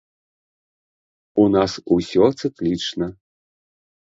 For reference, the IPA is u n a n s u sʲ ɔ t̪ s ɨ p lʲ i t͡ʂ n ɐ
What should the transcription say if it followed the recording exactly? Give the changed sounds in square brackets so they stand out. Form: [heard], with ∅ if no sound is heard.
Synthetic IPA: u n a [∅] s u sʲ ɔ t̪ s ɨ [k] lʲ i t͡ʂ n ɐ